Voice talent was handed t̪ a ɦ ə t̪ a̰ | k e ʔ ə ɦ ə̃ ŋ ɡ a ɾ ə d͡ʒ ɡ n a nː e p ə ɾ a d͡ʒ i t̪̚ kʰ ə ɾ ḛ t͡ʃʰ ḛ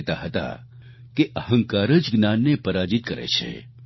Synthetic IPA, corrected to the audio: t̪ a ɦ ə t̪ a̰ | k e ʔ ə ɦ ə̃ ŋ k a ɾ ə d͡ʒ ɡ n a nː e p ə ɾ a d͡ʒ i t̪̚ k ə ɾ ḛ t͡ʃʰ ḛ

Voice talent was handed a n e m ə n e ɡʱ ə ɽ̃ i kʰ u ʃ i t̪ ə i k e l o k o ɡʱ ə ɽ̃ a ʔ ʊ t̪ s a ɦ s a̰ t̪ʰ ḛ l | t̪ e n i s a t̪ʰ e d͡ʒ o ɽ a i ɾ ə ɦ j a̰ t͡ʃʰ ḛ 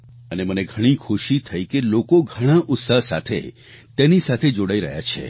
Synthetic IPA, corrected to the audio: ə n e m ə n e ɡʱ ə ɽ̃ i kʰ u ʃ i t̪ʰ ə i k e l o k o ɡʱ ə ɽ̃ a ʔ ʊ t̪ s a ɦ s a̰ t̪ʰ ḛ | t̪ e n i s a t̪ʰ e d͡ʒ o ɽ a i ɾ ə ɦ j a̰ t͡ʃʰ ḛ

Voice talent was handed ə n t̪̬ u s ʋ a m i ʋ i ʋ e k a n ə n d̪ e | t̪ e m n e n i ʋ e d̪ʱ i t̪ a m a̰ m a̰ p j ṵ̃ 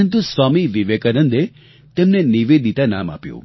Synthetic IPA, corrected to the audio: ə n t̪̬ u s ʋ a m i ʋ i ʋ e k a n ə n d̪ e | t̪ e m n e n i ʋ e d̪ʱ i t̪ a n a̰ m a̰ p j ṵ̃

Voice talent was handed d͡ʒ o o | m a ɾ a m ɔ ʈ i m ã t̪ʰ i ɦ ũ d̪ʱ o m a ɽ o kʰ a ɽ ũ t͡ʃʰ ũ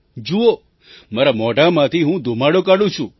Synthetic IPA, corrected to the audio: d͡ʒ u o | m a ɾ a m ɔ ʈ a m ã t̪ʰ i ɦ ũ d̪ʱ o m a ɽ o k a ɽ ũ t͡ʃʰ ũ

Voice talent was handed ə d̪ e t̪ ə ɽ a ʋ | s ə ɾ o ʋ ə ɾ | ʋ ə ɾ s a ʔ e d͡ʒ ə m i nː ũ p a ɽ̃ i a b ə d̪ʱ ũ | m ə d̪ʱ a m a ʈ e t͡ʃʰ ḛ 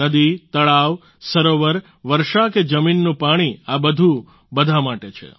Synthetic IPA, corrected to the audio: ə d̪ i t̪ ə ɭ a ʋ | s ə ɾ o ʋ ə ɾ | ʋ ə ɾ ʃ a k e d͡ʒ ə m i nː ũ p a ɽ̃ i a b ə d̪ʱ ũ | b ə d̪ʱ a m a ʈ e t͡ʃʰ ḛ

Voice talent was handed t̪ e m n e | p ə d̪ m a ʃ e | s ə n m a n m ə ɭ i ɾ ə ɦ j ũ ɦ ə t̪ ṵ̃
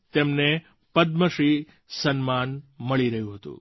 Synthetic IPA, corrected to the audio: t̪ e m n e | p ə d̪ m ə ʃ i | s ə n m a n m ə ɭ i ɾ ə ɦ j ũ ɦ ə t̪ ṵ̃

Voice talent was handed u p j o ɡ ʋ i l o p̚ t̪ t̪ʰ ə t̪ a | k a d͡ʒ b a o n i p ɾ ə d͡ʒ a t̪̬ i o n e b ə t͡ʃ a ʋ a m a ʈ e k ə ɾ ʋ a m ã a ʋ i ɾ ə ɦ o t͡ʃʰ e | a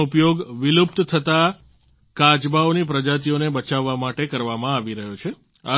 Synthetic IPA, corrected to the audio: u p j o ɡ ʋ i l u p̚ t̪ t̪ʰ ə t̪ a | k a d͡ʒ b a o n i p ɾ ə d͡ʒ a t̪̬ i o n e b ə t͡ʃ a ʋː a m a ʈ e k ə ɾ ʋ a m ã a ʋ i ɾ ə ɦ o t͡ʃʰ e | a

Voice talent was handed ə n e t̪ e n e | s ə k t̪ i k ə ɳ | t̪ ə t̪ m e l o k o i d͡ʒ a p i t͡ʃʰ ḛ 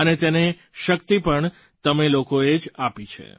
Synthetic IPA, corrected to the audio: ə n e t̪ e n e | ʃ ə k t̪ i p ə ɳ | t̪ ə m e l o k o e d͡ʒ a p i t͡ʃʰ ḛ

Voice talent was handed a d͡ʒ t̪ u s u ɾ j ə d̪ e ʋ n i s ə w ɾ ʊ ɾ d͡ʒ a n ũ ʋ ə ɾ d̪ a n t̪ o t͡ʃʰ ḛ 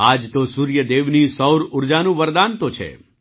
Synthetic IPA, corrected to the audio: a d͡ʒ t̪ o s u ɾ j ə d̪ e ʋ n i s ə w ɾ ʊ ɾ d͡ʒ a n ũ ʋ ə ɾ d̪ a n t̪ o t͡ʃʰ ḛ

